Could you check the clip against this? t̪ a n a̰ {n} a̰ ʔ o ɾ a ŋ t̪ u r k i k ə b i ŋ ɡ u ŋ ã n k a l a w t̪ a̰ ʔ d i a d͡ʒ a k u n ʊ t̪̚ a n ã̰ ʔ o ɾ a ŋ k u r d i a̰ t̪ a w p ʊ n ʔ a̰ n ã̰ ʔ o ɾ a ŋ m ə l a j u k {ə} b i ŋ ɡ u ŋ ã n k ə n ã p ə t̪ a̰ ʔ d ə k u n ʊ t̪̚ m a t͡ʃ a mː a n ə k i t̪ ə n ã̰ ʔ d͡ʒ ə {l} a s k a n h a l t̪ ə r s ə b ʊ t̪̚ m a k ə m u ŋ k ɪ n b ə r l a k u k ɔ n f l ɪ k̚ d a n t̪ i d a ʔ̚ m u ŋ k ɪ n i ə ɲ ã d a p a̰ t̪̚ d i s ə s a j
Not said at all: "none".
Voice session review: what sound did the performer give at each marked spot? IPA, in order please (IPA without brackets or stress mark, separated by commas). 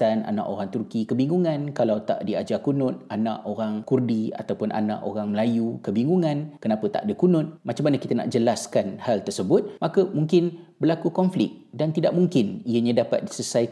n, ə, l